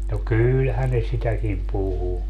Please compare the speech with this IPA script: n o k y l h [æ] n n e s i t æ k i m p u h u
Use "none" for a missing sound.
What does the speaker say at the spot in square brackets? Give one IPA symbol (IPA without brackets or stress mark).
æ